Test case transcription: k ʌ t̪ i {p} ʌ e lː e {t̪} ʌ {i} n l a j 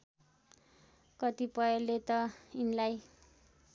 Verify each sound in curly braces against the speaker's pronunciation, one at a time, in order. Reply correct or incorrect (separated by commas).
correct, correct, correct